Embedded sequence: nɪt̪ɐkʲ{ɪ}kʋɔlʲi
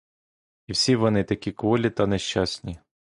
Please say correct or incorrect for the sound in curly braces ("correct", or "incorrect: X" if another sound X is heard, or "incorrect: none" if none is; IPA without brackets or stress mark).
incorrect: i